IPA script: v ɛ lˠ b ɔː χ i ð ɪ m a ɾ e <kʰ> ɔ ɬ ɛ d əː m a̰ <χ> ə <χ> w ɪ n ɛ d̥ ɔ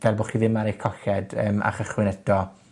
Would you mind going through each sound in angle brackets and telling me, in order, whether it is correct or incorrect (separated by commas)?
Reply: correct, correct, correct